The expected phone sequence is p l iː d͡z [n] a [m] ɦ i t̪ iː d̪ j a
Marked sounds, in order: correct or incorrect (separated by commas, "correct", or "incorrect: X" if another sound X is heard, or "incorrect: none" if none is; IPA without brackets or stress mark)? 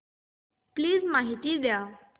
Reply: incorrect: m, incorrect: none